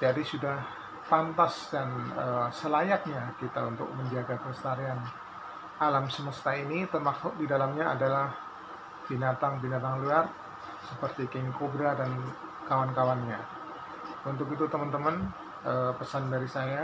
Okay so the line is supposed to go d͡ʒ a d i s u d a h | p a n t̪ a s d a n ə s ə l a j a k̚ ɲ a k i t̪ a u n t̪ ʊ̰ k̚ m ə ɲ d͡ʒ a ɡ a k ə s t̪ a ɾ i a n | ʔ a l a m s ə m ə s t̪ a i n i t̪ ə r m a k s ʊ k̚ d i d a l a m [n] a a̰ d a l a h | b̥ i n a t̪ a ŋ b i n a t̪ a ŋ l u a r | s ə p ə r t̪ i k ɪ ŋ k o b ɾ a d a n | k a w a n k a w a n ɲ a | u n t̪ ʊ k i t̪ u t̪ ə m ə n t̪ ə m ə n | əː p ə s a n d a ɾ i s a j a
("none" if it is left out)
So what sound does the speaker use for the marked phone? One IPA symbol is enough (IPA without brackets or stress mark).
ɲ